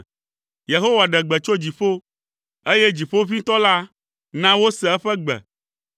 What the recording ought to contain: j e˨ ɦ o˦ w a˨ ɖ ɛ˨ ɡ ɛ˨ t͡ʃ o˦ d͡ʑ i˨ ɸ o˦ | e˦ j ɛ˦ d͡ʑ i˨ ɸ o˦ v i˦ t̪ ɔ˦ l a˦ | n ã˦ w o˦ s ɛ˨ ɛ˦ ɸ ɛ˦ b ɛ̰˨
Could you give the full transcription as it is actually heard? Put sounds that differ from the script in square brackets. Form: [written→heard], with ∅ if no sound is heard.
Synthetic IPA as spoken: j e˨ ɦ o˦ w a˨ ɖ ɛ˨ [ɡ→ɡ͡b] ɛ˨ t͡ʃ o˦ d͡ʑ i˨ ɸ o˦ | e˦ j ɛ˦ d͡ʑ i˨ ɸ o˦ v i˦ t̪ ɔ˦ l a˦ | n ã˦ w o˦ s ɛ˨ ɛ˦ ɸ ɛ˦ [b→ɡ͡b] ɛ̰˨

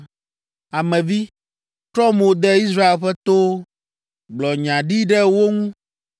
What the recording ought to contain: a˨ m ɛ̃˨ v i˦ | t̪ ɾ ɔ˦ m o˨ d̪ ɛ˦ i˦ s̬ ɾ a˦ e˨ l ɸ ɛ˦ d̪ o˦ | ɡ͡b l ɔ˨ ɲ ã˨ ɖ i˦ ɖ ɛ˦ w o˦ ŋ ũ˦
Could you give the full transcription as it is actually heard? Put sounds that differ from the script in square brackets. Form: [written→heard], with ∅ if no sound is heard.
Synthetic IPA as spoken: a˨ m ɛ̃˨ v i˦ | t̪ ɾ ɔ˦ m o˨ d̪ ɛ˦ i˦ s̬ ɾ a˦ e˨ l ɸ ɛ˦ [d̪→t̪] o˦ | ɡ͡b l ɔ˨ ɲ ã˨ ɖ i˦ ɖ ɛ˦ w o˦ ŋ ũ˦

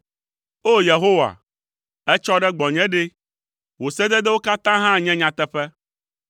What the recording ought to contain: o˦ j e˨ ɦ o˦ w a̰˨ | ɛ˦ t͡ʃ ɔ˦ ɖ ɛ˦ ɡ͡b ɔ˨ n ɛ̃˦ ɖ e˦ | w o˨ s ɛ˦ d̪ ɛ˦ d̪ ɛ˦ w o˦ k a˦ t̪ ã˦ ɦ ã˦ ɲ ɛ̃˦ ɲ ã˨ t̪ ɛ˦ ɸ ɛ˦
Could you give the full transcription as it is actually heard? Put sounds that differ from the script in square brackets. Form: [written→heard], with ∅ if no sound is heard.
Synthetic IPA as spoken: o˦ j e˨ ɦ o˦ w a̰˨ | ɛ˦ t͡ʃ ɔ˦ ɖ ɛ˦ ɡ͡b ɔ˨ [n→ɲ] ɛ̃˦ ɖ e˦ | w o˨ s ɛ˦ d̪ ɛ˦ d̪ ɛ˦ w o˦ k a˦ t̪ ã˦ ɦ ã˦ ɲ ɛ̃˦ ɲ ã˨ t̪ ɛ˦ ɸ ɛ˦

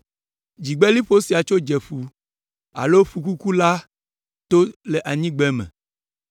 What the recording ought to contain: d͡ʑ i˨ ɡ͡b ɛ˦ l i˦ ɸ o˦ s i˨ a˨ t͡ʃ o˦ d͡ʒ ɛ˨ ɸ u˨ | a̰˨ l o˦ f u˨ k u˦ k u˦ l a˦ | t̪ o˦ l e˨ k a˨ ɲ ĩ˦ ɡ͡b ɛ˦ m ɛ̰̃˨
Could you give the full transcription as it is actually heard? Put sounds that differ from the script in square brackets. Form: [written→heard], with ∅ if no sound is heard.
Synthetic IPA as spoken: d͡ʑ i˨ ɡ͡b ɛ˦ l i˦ ɸ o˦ s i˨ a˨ t͡ʃ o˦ d͡ʒ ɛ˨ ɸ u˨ | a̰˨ l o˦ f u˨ k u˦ k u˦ l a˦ | t̪ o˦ l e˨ [k→ʔ] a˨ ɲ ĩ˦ ɡ͡b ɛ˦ m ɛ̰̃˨

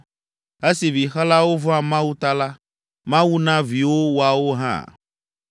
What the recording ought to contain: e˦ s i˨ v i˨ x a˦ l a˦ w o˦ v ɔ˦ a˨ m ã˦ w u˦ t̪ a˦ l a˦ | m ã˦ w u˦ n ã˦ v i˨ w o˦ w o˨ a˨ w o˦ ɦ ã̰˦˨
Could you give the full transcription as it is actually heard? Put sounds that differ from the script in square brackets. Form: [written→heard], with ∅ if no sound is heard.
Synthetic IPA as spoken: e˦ s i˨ v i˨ x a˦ l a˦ w o˦ v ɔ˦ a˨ m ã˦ w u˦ t̪ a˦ l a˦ | m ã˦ w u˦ n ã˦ v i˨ w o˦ w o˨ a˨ w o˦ ɦ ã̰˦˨

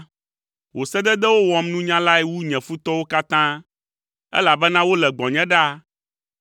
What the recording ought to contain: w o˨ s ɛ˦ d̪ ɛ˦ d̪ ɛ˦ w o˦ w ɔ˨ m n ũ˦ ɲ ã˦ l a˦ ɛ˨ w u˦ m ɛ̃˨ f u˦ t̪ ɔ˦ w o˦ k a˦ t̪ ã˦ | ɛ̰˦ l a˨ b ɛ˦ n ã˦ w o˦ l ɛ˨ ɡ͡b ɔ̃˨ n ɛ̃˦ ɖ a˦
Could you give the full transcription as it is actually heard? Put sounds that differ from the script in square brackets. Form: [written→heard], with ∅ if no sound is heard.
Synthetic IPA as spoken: w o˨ s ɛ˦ d̪ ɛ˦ d̪ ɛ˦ w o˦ w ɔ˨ m n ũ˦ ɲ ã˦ l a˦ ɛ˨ w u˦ [m→ɲ] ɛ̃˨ f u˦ t̪ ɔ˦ w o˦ k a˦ t̪ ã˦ | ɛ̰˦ l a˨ b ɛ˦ n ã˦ w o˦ l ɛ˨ ɡ͡b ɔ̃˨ [n→ɲ] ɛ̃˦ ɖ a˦

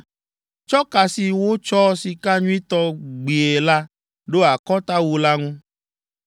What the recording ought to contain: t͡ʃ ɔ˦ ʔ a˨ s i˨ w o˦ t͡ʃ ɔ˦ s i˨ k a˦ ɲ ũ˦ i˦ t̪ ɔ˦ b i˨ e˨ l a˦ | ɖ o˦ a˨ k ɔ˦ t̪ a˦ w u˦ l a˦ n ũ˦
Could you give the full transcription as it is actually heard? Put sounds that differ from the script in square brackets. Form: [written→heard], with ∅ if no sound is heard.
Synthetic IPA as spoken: t͡ʃ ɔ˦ [ʔ→k] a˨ s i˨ w o˦ t͡ʃ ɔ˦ s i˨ k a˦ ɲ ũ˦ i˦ t̪ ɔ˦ [b→ɡ͡b] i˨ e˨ l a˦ | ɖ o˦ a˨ k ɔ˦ t̪ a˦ w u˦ l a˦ [n→ŋ] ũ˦

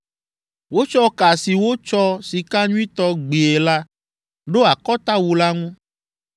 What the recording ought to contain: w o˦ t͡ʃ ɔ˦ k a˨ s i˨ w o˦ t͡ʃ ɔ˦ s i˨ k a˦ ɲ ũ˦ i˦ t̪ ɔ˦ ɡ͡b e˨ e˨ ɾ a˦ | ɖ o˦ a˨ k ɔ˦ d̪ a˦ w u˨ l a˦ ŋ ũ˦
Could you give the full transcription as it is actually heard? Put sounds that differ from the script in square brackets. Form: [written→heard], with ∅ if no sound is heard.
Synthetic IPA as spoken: w o˦ t͡ʃ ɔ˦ k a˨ s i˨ w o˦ t͡ʃ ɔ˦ s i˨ k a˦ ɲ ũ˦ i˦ t̪ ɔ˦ ɡ͡b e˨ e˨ [ɾ→l] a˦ | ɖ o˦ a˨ k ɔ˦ [d̪→t̪] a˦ w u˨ l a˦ ŋ ũ˦

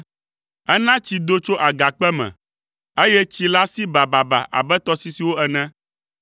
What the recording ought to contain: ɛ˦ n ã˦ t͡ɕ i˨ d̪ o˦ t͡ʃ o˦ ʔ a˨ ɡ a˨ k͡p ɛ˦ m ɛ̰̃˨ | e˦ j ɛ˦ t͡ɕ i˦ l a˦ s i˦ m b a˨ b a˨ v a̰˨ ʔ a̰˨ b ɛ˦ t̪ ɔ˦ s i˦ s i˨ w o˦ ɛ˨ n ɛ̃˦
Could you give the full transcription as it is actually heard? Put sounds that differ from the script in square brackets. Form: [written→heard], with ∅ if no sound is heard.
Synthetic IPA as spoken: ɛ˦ n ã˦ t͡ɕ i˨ d̪ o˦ t͡ʃ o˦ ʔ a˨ ɡ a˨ k͡p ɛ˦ m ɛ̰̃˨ | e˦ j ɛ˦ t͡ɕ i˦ l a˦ s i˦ [m→∅] b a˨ b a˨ [v→b] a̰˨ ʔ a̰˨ b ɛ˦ t̪ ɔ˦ s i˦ s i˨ w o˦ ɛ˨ n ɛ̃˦

